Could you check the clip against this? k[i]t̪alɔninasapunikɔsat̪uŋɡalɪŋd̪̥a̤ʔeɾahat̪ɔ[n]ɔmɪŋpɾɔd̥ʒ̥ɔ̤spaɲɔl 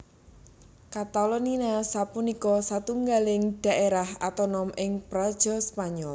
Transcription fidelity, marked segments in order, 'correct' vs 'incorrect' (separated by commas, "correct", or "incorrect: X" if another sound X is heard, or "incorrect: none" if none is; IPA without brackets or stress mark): incorrect: a, correct